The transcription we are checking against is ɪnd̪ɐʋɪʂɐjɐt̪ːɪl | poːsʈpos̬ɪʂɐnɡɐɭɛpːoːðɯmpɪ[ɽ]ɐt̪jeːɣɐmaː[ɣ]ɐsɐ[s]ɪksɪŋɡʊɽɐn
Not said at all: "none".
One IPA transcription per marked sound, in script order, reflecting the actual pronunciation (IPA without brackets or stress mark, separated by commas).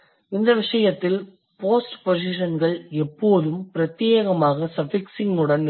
ɾ, ɣ, f